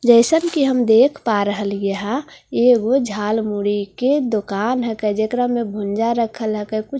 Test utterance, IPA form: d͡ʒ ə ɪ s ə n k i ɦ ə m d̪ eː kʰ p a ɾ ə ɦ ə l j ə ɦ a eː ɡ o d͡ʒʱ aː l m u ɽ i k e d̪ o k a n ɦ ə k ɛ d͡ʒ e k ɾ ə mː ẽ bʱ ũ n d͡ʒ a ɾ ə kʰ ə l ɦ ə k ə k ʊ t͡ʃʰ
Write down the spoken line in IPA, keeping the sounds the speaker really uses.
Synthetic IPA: d͡ʒ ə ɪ s ə n k i ɦ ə m d̪ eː kʰ p a ɾ ə ɦ ə l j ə ɦ a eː ɡ o d͡ʒʱ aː l m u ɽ i k e d̪ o k a n ɦ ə k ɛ d͡ʒ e k ɾ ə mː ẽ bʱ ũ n d͡ʒ a ɾ ə kʰ ə l ɦ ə k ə k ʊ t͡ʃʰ